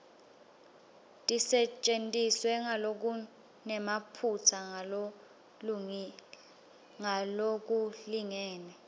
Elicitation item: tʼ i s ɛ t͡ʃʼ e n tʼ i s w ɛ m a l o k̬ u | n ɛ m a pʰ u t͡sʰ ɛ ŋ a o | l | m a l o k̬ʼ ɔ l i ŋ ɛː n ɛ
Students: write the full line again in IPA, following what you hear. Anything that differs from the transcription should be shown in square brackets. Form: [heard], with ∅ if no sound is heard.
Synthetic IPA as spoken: tʼ i s ɛ t͡ʃʼ e n tʼ i s w ɛ [ŋ] a l o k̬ u | n ɛ m a pʰ u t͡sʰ [a] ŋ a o | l | [ŋ] a l o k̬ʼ [u] l i ŋ ɛː n ɛ